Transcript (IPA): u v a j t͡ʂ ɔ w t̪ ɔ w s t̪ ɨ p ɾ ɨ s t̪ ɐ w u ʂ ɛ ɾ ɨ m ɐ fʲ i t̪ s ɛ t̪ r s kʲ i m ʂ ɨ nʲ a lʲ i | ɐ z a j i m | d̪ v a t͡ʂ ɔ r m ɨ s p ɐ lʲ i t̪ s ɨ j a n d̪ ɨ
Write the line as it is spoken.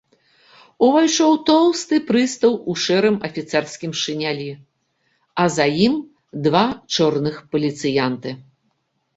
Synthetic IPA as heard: u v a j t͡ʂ ɔ w t̪ ɔ w s t̪ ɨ p ɾ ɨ s t̪ ɐ w u ʂ ɛ ɾ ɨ m ɐ fʲ i t̪ s ɛ r s kʲ i m ʂ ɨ nʲ a lʲ i | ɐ z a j i m | d̪ v a t͡ʂ ɔ r n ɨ x p ɐ lʲ i t̪ s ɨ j a n t̪ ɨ